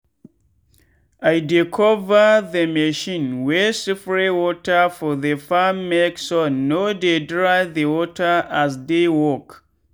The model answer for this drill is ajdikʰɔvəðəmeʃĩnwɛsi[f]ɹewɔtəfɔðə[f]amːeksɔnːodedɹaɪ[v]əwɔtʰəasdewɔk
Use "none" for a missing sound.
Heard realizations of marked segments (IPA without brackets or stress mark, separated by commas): f, f, ð